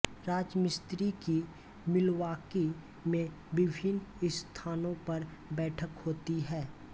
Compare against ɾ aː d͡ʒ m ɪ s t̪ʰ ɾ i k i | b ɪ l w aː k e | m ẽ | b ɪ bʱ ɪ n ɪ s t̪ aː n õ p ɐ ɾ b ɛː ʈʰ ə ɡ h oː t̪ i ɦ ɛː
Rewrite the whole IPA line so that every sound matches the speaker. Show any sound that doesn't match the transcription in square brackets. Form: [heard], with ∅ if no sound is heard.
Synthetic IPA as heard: ɾ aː d͡ʒ m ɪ s [t̪] ɾ i k i | [m] ɪ l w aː k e | m ẽ | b ɪ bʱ ɪ n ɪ s [t̪ʰ] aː n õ p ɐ ɾ b ɛː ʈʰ ə [k] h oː t̪ i ɦ ɛː